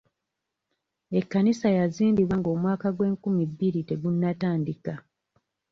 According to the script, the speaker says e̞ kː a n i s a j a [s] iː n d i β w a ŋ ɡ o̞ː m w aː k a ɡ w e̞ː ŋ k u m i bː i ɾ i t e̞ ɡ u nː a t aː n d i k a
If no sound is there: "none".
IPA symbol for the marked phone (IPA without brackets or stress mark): z